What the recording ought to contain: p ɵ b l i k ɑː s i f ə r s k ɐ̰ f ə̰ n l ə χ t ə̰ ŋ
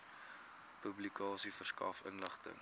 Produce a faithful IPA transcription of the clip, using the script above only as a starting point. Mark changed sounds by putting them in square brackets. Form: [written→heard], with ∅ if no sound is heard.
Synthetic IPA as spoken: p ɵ b l i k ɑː s i f ə r s k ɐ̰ f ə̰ n l ə χ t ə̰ ŋ